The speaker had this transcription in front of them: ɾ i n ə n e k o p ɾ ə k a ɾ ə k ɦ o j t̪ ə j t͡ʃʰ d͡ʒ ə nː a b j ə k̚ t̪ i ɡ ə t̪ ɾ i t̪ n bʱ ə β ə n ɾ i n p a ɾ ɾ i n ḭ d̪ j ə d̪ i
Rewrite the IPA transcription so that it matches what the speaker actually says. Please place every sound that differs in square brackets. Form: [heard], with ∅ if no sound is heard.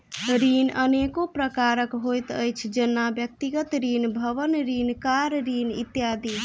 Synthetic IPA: ɾ i n ə n e k o p ɾ ə k a ɾ ə k ɦ o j t̪ ə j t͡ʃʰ d͡ʒ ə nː a b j ə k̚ t̪ i ɡ ə t̪ ɾ i [∅] n bʱ ə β ə n ɾ i n [k] a ɾ ɾ i n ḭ [t̪] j [a] d̪ i